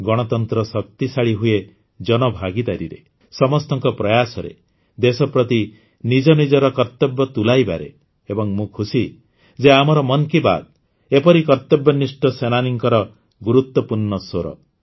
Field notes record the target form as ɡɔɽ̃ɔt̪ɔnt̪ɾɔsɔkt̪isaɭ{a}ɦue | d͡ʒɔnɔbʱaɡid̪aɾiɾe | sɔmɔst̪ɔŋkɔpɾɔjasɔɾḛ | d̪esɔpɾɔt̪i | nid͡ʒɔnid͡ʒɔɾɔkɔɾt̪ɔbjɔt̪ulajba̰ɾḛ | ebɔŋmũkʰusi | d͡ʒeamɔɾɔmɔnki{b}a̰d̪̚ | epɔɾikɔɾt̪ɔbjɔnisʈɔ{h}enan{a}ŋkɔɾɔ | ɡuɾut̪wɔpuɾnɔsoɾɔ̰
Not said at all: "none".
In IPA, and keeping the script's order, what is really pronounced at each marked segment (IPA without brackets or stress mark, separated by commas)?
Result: i, b, s, i